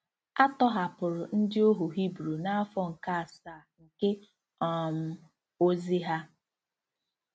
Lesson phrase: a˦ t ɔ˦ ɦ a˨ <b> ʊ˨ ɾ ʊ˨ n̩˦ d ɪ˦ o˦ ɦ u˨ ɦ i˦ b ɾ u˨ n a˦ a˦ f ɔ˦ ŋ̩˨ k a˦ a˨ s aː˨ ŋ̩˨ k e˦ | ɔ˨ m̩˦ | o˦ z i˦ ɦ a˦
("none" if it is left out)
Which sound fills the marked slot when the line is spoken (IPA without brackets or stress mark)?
p